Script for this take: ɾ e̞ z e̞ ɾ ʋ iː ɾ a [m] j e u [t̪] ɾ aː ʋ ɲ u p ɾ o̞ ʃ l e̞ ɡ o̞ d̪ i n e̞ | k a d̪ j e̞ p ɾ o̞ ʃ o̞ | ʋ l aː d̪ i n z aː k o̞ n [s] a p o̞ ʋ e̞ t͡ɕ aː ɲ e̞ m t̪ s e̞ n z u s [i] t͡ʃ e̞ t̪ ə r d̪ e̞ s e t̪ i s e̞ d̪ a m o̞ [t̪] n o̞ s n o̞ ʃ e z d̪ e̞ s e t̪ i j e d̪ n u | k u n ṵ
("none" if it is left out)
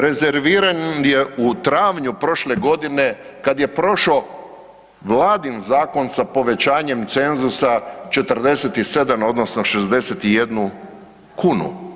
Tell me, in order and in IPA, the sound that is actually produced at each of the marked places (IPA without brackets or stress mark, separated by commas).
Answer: n, t̪, s, a, d̪